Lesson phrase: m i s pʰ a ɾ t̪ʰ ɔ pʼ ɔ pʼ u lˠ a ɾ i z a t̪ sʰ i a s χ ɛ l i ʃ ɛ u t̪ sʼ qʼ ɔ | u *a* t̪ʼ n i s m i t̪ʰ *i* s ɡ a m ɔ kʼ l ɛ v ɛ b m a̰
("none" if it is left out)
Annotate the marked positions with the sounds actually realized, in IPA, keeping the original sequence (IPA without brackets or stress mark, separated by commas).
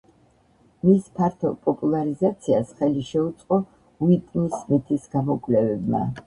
i, i